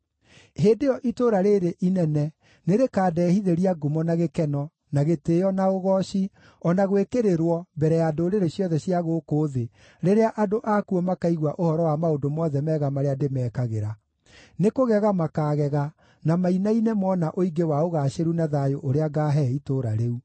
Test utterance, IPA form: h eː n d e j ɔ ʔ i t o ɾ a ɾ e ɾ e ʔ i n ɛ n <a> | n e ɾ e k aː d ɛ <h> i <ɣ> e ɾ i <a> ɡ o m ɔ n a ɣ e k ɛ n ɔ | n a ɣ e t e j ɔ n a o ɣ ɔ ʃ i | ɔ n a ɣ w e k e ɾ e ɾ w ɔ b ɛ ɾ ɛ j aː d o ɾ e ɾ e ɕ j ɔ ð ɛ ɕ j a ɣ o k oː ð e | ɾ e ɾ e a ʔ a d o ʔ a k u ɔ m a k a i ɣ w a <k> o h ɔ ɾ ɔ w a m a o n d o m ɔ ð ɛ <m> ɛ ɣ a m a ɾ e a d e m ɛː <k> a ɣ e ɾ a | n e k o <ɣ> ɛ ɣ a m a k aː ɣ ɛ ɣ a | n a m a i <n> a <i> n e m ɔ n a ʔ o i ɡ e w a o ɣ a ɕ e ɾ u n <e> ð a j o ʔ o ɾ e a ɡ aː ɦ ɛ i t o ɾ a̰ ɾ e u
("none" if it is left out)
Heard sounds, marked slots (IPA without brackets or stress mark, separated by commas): ɛ, h, ð, a, ʔ, m, k, ɣ, n, i, a